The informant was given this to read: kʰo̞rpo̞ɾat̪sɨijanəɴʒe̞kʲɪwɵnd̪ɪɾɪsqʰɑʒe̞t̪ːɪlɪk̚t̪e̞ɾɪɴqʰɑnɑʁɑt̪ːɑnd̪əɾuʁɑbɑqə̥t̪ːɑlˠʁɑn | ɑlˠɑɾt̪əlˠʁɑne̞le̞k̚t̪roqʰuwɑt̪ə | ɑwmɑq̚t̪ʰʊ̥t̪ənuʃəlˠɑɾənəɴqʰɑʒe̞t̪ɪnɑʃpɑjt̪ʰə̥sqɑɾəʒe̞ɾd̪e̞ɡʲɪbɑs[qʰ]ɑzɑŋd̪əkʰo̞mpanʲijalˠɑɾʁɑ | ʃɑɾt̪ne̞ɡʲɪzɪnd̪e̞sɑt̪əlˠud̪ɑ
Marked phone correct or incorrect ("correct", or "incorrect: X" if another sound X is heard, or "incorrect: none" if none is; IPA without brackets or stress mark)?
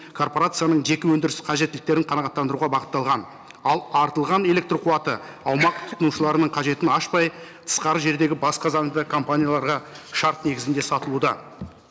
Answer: incorrect: q